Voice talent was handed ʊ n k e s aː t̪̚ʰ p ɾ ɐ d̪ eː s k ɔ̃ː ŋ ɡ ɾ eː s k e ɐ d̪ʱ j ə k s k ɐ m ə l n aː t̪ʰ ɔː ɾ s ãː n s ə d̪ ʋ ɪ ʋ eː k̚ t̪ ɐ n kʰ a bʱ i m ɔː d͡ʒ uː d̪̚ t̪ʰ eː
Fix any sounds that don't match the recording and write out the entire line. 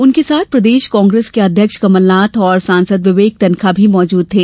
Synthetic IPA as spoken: ʊ n k e s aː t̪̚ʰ p ɾ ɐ d̪ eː ʃ k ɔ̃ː ŋ ɡ ɾ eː s k e ɐ d̪ʱ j ə k ʃ k ɐ m ə l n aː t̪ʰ ɔː ɾ s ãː n s ə d̪ ʋ ɪ ʋ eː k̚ t̪ ɐ n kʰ a bʱ i m ɔː d͡ʒ uː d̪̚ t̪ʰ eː

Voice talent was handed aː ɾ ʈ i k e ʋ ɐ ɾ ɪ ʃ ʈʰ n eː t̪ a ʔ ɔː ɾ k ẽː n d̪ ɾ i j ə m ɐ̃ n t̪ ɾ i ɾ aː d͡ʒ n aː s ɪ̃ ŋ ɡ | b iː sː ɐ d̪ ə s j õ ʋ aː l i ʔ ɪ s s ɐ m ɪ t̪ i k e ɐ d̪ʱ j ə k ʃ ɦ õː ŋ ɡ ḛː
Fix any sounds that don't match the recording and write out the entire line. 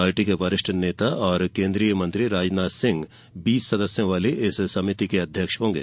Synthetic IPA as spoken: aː ɾ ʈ i k e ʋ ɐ ɾ ɪ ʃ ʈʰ n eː t̪ a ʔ ɔː ɾ k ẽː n d̪ ɾ i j ə m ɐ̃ n t̪ ɾ i ɾ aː d͡ʒ n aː s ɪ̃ ŋ ɡ | b iː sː ɐ d̪ ə s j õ ʋ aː l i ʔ ɪ s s ɐ m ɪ t̪ i k e ɐ d̪ʱ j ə k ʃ ɦ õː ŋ ɡ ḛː

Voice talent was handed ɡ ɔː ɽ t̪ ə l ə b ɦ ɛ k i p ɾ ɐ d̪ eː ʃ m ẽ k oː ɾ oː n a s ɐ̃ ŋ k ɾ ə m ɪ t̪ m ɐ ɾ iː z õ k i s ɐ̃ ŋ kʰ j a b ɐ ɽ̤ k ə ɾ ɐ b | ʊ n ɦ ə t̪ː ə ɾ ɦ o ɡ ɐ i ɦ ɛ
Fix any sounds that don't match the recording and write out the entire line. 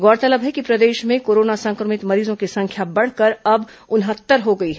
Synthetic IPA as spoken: ɡ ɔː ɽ t̪ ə l ə b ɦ ɛ k i p ɾ ɐ d̪ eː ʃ m ẽ k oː ɾ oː n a s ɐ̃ ŋ k ɾ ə m ɪ t̪ m ɐ ɾ iː z õ k i s ɐ̃ ŋ kʰ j a b ɐ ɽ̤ k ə ɾ ɐ b | ʊ n ɦ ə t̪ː ə ɾ ɦ o ɡ ɐ i ɦ ɛ

